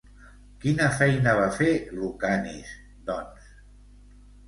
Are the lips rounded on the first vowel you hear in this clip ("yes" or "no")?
no